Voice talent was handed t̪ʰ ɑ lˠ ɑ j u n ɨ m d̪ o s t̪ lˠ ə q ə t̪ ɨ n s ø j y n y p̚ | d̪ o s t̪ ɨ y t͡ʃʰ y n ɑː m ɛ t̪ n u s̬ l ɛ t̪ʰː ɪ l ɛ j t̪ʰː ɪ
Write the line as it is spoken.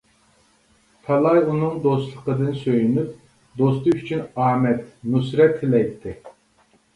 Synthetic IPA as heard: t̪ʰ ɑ lˠ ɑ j u n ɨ ŋ d̪ o s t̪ lˠ ə q ə d̪ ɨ n s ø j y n y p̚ | d̪ o s t̪ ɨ y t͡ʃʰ y n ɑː m ɛ t̪ n u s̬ ɾ ɛ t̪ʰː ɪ l ɛ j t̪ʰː ɪ